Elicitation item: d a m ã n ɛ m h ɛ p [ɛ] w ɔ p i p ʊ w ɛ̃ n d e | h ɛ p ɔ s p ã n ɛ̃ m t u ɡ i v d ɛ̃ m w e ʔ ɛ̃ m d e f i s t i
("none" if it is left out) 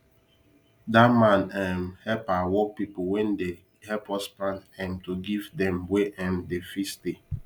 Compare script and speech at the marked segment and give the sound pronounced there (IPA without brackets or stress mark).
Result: a